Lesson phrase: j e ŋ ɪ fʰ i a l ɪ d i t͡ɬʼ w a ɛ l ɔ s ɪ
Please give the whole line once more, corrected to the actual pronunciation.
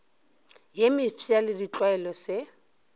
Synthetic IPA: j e m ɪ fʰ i a l ɪ d i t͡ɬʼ w a ɛ l ɔ s ɪ

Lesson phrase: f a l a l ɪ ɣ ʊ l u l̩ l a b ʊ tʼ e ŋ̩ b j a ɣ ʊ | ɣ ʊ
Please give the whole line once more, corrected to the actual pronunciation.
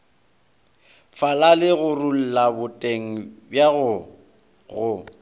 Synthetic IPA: f a l a l ɪ ɣ ʊ r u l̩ l a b ʊ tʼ e ŋ̩ b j a ɣ ʊ | ɣ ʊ

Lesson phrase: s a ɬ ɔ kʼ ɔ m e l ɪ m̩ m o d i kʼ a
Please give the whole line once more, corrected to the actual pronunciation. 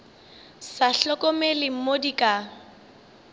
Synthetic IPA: s a ɬ ɔ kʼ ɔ m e l ɪ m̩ m o d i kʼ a

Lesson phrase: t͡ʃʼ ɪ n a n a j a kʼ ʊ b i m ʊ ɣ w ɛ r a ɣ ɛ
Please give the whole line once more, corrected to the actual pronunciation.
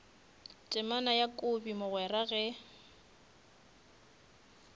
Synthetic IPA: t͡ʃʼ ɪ m a n a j a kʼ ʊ b i m ʊ ɣ w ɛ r a ɣ ɛ

